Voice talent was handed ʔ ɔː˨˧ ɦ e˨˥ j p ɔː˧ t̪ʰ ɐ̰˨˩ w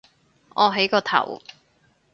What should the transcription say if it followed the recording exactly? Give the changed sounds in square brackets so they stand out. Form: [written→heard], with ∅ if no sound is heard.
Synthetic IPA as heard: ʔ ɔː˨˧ ɦ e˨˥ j [p→k] ɔː˧ t̪ʰ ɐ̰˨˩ w